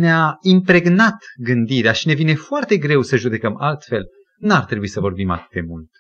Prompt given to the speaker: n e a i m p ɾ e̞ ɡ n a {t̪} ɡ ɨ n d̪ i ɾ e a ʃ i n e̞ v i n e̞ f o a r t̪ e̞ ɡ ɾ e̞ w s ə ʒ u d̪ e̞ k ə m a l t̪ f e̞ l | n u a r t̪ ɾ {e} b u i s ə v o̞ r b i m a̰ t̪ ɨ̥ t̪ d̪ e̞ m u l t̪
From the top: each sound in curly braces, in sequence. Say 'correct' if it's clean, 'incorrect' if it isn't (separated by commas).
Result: correct, correct